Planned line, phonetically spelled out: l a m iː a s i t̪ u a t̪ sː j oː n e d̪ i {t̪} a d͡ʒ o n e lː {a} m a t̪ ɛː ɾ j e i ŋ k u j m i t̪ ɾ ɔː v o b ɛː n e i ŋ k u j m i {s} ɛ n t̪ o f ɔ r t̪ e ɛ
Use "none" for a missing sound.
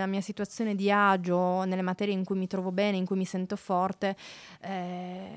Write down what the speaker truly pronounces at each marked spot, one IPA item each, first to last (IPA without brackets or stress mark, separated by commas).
none, e, s